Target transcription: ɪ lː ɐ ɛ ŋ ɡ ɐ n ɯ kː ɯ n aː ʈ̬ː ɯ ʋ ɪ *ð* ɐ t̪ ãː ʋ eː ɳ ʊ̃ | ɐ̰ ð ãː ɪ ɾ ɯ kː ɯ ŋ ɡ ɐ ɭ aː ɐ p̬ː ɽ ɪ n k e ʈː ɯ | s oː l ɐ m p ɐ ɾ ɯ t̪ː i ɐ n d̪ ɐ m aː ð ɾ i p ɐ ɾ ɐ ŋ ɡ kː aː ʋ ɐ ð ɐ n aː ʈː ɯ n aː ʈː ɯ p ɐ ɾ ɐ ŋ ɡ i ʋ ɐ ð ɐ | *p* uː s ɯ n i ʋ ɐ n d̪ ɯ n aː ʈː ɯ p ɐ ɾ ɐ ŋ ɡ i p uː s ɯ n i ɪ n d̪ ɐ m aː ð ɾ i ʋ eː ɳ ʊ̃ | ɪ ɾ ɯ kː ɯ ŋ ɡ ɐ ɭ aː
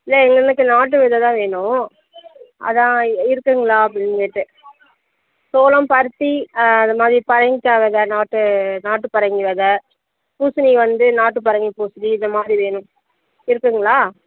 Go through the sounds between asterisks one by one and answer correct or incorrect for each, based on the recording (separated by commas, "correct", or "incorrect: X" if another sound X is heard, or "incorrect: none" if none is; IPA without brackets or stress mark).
correct, correct